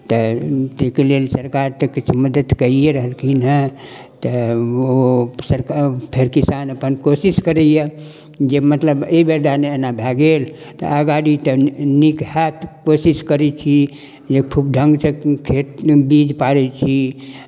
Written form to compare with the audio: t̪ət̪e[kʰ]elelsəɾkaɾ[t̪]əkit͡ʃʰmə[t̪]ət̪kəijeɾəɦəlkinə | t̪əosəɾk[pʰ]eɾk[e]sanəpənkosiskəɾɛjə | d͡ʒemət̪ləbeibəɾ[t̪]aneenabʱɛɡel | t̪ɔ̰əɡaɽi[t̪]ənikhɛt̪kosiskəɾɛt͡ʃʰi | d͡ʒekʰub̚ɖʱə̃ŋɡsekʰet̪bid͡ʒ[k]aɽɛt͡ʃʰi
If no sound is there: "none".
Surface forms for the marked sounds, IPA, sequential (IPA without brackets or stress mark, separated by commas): k, t̪, d̪, pʰ, i, d̪, t̪, p